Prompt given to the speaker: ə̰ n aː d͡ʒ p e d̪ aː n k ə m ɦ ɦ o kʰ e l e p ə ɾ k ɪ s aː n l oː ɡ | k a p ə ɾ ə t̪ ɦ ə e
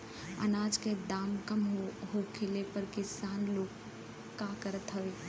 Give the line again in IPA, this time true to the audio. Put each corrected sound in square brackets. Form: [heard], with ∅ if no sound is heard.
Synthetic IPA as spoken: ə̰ n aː d͡ʒ [k] e d̪ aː [m] k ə m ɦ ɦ o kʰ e l e p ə ɾ k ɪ s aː n l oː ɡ | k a [k] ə ɾ ə t̪ ɦ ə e